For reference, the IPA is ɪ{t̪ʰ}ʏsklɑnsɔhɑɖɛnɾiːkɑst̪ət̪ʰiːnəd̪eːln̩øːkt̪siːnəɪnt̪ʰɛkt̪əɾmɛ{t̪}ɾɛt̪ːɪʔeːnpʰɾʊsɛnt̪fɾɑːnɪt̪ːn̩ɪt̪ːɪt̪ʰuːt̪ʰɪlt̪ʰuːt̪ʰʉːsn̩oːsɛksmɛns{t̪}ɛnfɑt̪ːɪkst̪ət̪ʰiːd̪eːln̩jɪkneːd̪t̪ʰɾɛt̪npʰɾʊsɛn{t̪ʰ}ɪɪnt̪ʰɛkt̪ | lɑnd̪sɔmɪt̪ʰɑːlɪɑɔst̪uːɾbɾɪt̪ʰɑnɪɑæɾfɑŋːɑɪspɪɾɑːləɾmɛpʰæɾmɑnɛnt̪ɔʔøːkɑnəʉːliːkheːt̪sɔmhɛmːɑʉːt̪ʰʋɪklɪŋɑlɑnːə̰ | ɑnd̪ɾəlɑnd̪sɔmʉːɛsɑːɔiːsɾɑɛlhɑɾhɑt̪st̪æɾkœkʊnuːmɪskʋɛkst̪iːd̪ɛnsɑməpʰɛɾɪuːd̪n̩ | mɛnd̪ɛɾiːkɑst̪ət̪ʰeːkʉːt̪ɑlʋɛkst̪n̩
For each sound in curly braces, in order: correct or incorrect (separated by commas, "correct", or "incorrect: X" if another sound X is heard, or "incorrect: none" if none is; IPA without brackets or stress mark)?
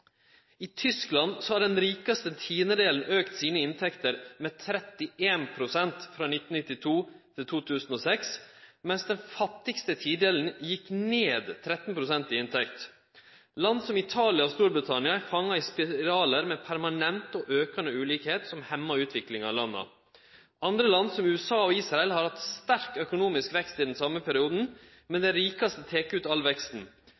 correct, incorrect: t̪ʰ, incorrect: d̪, incorrect: t̪